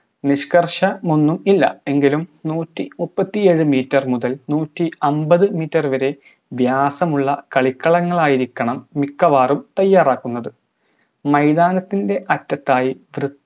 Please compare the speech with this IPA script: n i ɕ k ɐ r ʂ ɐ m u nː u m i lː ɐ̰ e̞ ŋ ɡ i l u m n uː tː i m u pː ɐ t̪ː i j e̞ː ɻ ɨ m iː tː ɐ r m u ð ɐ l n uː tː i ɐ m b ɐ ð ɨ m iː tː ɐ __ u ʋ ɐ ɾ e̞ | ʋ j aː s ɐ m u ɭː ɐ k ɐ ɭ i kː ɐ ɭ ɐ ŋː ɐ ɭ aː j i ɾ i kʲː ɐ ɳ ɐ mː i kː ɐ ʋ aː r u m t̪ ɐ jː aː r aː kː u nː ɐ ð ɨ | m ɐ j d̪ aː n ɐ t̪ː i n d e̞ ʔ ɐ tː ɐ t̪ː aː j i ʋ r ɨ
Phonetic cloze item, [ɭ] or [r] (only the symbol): r